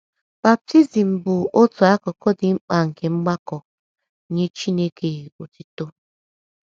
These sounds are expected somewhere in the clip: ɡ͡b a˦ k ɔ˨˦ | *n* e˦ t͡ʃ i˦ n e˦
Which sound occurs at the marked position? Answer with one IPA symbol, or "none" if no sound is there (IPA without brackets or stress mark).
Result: ɲ